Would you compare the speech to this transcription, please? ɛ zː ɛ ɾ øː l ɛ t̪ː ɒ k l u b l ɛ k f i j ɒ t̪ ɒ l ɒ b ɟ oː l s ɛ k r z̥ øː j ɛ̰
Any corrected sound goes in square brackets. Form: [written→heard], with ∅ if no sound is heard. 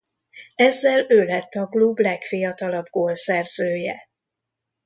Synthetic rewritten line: ɛ zː ɛ [ɾ→l] øː l ɛ t̪ː ɒ k l u b l ɛ k f i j ɒ t̪ ɒ l ɒ b [ɟ→ɡ] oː l s ɛ [k→∅] r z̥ øː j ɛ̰